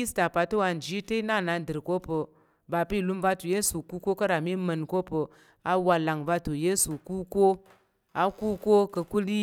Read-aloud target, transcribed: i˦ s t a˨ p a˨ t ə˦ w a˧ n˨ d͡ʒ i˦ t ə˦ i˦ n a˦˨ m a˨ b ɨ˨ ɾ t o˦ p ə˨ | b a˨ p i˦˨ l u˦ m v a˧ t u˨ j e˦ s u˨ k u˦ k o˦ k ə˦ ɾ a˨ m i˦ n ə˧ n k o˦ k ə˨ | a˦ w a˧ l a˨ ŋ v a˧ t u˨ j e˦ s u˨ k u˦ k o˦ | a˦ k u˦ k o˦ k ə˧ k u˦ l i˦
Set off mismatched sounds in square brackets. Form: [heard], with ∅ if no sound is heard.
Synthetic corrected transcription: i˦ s t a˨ p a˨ t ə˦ w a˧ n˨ d͡ʒ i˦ t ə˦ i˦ n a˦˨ [n] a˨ [d] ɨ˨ ɾ [k] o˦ p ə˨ | b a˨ p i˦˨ l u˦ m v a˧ t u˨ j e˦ s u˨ k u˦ k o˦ k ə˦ ɾ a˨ m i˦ [m] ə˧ n k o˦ [p] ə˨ | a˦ w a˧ l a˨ ŋ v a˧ t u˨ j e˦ s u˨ k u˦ k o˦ | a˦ k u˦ k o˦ k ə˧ k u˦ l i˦

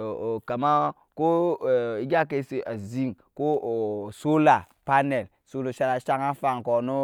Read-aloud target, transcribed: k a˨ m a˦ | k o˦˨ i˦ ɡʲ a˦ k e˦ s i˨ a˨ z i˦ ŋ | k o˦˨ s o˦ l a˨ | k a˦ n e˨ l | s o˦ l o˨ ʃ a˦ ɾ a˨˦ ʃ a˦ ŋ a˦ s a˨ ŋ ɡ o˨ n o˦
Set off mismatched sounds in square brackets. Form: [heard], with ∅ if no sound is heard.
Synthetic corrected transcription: k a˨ m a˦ | k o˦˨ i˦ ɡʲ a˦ k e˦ s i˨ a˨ z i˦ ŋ | k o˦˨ s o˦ l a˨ | [p] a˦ n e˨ l | s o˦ l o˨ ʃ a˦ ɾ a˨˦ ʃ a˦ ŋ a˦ [f] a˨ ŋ [k] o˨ n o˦

